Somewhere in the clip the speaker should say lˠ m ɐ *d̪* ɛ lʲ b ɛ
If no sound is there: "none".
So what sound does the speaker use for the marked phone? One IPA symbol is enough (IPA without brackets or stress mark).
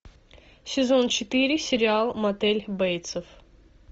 t̪